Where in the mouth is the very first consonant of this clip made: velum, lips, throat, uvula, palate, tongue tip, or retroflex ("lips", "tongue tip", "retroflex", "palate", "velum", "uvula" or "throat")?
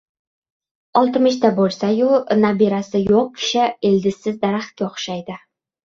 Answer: tongue tip